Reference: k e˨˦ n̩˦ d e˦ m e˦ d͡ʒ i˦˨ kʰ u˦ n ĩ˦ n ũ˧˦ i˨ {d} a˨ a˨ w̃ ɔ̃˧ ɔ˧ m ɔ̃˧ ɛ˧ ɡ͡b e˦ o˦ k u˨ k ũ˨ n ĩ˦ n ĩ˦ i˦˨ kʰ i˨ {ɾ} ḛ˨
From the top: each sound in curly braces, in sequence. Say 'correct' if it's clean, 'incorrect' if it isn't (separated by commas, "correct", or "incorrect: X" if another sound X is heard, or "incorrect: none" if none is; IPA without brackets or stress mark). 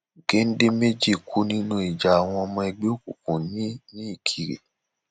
incorrect: d͡ʒ, correct